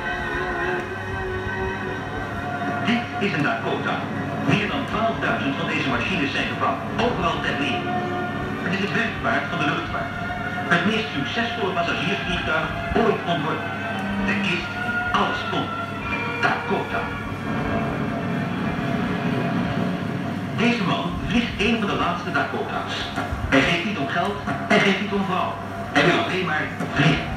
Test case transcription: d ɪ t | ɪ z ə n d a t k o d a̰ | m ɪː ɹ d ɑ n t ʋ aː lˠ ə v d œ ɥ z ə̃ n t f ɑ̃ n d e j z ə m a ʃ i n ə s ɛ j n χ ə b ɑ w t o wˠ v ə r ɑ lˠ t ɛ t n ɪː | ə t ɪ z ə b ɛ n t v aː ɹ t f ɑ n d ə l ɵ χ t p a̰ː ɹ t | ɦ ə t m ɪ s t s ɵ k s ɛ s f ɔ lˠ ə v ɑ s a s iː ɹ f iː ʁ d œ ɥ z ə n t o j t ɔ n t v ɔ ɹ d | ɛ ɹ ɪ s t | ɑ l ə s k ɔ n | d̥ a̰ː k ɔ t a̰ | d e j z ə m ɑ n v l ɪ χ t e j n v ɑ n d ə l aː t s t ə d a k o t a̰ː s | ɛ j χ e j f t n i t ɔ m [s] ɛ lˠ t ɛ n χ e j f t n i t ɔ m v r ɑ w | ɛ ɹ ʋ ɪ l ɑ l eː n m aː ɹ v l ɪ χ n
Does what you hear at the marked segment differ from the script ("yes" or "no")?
yes